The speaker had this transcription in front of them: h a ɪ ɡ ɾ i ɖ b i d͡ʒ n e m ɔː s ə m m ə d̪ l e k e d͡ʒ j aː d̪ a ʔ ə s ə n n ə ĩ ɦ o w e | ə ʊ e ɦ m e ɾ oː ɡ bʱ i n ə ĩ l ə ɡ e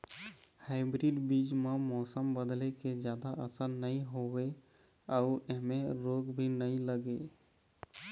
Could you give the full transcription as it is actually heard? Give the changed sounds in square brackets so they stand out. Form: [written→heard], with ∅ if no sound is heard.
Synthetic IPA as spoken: h a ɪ [ɡ→b] ɾ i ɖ b i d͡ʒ [n→m] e m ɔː s ə m [m→b] ə d̪ l e k e d͡ʒ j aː d̪ a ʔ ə s ə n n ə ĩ ɦ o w e | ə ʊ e ɦ m e ɾ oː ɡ bʱ i n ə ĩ l ə ɡ e